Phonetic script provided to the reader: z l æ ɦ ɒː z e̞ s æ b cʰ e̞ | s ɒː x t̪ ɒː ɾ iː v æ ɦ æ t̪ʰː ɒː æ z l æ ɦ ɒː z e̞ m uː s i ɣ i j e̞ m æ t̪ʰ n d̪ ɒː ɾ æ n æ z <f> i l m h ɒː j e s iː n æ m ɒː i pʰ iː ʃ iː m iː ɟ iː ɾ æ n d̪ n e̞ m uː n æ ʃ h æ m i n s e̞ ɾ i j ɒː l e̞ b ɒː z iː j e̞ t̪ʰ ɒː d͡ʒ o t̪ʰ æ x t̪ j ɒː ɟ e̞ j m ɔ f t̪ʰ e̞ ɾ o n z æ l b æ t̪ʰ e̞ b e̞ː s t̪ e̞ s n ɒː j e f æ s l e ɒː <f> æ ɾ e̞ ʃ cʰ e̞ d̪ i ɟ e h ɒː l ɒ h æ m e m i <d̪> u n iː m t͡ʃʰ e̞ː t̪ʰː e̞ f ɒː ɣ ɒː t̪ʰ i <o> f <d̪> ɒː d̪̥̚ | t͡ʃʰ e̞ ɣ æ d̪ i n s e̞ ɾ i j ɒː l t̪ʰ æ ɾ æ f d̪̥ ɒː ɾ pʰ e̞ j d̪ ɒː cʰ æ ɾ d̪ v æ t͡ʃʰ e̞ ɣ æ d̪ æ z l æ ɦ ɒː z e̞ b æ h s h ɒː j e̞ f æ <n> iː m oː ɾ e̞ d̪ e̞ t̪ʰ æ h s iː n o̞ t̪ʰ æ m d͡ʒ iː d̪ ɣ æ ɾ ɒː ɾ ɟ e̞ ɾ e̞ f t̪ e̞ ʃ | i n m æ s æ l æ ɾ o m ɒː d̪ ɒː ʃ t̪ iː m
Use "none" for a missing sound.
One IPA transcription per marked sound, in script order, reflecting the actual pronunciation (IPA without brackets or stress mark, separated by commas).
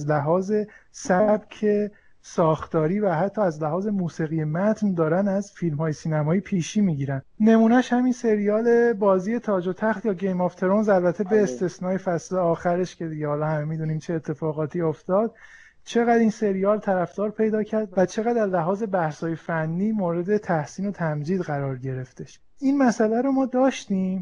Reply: f, x, d̪, o, t̪, nː